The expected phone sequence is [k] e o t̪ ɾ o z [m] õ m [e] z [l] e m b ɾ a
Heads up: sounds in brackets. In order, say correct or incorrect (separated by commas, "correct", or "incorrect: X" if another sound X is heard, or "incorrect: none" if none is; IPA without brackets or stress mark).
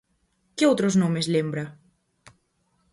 correct, incorrect: n, correct, correct